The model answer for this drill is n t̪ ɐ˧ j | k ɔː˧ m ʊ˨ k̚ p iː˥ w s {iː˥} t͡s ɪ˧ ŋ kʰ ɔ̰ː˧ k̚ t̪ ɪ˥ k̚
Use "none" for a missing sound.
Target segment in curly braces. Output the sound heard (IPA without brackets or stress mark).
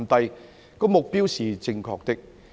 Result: iː˨˩